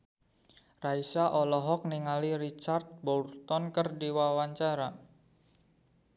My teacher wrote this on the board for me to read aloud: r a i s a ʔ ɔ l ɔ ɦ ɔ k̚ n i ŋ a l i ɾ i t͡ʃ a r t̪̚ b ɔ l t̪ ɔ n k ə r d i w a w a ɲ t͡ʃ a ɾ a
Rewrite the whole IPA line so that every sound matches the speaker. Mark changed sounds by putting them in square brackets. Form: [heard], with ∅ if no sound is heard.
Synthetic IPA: r a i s a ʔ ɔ l ɔ ɦ ɔ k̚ n i ŋ a l i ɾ i t͡ʃ a r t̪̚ b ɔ l t̪ ɔ n k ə r d i w a w a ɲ t͡ʃ a ɾ a